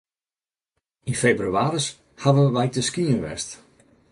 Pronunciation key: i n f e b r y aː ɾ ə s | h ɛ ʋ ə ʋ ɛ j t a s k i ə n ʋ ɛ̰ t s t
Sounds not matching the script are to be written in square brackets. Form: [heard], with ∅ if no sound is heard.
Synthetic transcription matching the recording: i n f e b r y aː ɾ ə s | h [a] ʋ ə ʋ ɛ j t [ə] s k i ə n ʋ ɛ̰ [∅] s t

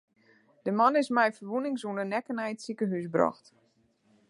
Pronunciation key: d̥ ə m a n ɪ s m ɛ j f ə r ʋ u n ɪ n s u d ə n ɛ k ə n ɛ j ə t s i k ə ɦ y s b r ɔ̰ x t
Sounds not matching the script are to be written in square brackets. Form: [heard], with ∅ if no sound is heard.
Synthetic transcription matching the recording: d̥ ə m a n ɪ s m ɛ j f ə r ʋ u n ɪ [ŋ] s u [n] ə n ɛ k ə n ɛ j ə t s i k ə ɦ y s b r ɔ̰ x t

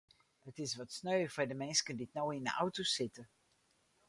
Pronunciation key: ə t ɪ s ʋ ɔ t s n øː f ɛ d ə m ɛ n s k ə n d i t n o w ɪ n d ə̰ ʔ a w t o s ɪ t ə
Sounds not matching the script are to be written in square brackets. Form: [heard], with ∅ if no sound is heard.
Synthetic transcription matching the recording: ə t ɪ s ʋ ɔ t s n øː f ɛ d ə m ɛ n s k ə n d i t n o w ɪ n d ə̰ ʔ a w t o s ɪ t ə

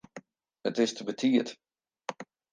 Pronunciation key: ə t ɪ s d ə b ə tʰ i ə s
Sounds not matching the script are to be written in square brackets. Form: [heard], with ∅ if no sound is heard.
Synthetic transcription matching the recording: ə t ɪ s [t] ə b ə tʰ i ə [t]

